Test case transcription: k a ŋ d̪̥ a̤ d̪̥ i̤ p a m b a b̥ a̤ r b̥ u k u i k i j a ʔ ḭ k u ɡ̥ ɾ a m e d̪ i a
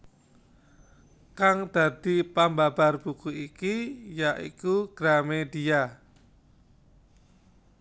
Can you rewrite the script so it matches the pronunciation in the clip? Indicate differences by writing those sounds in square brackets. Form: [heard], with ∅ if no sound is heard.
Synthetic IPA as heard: k a ŋ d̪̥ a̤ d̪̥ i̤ p a m b a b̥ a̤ r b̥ u k u i k i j a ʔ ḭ k u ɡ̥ ɾ a m e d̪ i a